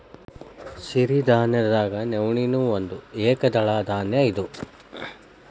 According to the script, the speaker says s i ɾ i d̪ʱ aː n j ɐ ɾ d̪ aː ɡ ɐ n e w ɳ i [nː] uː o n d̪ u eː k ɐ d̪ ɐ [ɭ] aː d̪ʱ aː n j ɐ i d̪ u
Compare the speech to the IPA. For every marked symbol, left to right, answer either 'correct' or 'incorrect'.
incorrect, correct

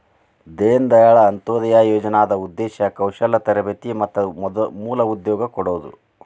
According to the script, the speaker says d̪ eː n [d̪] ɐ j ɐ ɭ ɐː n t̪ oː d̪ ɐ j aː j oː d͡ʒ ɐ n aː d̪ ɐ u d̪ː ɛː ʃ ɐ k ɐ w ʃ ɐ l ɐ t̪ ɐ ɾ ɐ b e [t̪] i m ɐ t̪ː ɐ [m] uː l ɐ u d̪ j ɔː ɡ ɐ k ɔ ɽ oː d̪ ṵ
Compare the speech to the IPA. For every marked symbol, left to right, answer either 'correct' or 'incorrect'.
correct, correct, correct

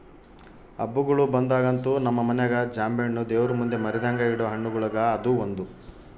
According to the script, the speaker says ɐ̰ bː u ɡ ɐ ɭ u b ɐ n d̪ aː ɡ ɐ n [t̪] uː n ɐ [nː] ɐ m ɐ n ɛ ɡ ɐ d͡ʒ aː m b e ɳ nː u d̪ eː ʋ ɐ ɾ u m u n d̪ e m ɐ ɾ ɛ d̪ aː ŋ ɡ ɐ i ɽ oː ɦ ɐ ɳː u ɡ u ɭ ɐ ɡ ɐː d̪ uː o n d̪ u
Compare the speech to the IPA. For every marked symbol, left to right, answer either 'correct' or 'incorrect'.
correct, incorrect

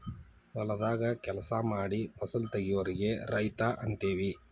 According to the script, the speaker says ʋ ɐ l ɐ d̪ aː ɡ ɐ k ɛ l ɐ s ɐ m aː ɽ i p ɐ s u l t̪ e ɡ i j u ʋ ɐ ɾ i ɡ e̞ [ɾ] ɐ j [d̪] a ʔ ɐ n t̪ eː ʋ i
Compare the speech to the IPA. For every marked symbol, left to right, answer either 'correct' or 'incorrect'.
correct, incorrect

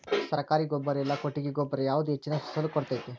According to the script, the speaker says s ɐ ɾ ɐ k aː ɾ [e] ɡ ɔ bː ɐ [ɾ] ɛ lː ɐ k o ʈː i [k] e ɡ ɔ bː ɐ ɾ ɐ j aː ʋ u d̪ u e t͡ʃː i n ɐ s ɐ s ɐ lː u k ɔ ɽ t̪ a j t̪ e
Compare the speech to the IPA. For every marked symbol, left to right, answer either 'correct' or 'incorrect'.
incorrect, correct, incorrect

